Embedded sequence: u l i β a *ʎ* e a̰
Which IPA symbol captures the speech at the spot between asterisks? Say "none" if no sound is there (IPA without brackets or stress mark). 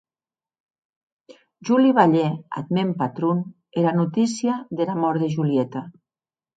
ʎ